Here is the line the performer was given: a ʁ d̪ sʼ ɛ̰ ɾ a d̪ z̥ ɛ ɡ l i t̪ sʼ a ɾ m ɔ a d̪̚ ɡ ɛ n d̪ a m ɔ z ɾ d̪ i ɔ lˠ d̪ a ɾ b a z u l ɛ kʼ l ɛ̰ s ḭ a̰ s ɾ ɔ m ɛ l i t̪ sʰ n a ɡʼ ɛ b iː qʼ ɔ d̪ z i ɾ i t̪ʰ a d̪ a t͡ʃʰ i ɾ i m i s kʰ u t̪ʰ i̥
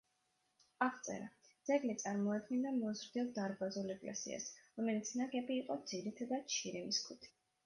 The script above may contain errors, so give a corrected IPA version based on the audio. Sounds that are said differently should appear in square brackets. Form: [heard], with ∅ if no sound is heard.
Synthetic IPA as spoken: a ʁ [t̪] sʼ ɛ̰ ɾ a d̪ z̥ ɛ ɡ l i t̪ sʼ a ɾ m ɔ a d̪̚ ɡ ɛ n d̪ a m ɔ z ɾ d̪ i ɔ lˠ d̪ a ɾ b a z u l ɛ kʼ l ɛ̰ s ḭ a̰ s ɾ ɔ m ɛ l i t̪ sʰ n a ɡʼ ɛ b iː qʼ ɔ d̪ z i ɾ i t̪ʰ a d̪ a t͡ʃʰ i ɾ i m i s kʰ u t̪ʰ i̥